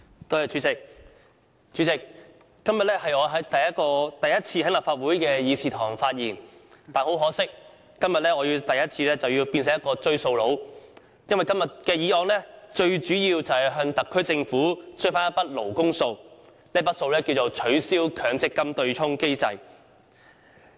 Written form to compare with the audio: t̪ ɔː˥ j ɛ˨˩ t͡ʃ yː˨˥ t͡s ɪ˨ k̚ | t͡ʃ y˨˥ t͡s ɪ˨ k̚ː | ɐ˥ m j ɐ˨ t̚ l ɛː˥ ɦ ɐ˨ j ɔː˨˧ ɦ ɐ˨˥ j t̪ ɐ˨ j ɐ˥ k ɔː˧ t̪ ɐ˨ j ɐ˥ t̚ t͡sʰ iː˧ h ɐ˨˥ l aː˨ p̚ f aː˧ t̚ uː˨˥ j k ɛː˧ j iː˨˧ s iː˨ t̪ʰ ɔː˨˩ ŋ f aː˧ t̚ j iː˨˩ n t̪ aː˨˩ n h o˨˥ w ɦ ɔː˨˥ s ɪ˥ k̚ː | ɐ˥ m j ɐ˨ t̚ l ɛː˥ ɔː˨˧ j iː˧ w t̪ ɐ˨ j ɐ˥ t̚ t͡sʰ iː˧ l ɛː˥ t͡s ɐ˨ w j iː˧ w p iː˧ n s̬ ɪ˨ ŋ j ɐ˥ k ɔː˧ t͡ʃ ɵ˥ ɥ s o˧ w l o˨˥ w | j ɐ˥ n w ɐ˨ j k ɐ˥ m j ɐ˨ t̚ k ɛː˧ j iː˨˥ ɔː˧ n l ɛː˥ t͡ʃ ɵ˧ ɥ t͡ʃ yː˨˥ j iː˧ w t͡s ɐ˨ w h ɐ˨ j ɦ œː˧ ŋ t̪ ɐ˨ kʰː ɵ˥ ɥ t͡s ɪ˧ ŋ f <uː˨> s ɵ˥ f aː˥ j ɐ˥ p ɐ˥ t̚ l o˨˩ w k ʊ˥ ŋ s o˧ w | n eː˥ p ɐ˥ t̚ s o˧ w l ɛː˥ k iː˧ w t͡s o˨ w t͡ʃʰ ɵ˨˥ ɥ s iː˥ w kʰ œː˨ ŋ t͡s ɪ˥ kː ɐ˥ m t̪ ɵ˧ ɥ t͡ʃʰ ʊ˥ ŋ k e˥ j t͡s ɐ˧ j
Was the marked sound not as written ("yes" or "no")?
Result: yes